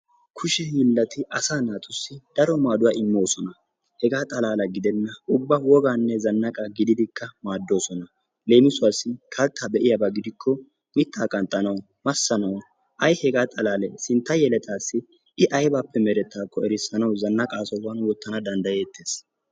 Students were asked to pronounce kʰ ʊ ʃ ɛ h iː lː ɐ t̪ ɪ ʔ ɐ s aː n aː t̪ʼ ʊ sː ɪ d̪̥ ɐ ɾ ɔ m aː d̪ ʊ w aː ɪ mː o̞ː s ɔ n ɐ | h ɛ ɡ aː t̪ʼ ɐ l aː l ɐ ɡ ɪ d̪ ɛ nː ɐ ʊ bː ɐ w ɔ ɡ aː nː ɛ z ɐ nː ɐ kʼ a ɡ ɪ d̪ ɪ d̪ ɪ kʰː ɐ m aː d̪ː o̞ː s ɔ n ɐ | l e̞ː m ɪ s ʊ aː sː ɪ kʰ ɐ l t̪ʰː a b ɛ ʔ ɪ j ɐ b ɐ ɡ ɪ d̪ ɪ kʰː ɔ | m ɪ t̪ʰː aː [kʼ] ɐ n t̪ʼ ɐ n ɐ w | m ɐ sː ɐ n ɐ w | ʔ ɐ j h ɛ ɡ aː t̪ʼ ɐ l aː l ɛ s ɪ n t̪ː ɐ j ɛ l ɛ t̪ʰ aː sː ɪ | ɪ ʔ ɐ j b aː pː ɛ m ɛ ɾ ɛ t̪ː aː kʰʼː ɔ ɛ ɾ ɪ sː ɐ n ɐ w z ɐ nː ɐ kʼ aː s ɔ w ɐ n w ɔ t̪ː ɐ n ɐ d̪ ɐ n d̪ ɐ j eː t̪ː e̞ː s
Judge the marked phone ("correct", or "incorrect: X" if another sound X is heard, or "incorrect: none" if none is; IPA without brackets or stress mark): correct